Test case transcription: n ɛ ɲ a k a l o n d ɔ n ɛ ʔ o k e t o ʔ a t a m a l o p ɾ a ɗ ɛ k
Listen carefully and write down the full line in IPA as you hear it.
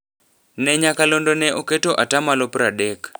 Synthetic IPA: n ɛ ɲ a k a l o n d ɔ n ɛ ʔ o k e t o ʔ a t a m a l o p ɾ a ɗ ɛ k